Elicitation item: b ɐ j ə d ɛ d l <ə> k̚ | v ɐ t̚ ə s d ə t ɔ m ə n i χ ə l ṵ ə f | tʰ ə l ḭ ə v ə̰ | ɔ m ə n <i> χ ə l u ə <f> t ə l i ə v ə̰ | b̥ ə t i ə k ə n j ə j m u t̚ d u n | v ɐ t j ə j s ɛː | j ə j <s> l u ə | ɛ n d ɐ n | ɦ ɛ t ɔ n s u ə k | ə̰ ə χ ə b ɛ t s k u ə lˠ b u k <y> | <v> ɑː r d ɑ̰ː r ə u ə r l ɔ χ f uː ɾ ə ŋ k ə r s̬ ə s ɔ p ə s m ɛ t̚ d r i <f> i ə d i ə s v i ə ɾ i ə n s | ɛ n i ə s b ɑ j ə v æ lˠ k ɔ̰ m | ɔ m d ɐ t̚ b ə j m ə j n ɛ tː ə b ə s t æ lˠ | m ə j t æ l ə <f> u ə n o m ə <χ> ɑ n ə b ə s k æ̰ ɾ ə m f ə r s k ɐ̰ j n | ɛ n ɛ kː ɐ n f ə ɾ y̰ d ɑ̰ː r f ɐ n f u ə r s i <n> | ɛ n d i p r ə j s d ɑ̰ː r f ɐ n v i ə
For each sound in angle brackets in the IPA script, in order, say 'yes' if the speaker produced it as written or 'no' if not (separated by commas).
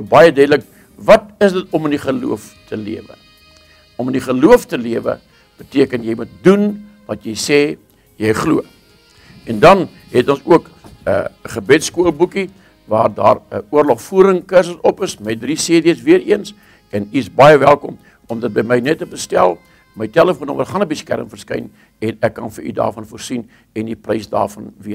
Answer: yes, yes, yes, no, no, yes, no, yes, yes, yes